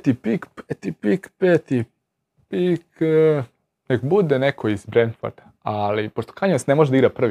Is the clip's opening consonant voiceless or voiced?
voiceless